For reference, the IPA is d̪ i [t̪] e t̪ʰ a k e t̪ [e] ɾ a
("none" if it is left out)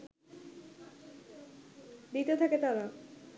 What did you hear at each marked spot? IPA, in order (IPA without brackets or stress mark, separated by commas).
t̪, a